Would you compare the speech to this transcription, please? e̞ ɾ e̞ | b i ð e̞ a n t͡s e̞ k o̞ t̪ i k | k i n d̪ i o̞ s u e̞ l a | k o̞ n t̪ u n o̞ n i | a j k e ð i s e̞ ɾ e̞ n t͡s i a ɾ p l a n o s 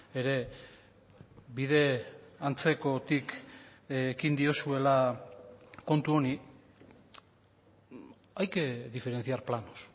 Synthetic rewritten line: e̞ ɾ e̞ | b i ð e̞ a n t͡s e̞ k o̞ t̪ i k | k i n d̪ i o̞ s u e̞ l a | k o̞ n t̪ u o̞ n i | a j k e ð i f e̞ ɾ e̞ n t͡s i a ɾ p l a n o s